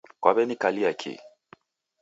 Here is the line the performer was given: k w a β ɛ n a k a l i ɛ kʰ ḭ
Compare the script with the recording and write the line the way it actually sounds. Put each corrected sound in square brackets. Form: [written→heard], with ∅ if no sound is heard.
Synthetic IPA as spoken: k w a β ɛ n [a→i] k a l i [ɛ→a] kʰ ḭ